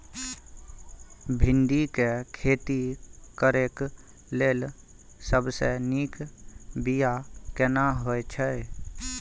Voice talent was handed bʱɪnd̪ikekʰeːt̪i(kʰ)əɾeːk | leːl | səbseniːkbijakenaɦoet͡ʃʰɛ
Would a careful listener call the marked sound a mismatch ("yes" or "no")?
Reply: yes